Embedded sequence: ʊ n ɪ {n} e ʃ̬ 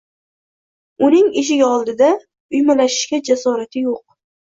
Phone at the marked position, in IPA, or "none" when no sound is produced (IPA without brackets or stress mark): ŋ